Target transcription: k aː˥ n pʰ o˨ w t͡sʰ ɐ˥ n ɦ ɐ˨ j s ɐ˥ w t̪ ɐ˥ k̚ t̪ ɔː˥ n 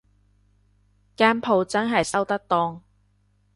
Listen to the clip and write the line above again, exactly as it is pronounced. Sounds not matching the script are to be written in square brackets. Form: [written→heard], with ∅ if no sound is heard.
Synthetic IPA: k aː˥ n pʰ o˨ w [t͡sʰ→t͡s] ɐ˥ n ɦ ɐ˨ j s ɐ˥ w t̪ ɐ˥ k̚ t̪ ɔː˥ [n→ŋ]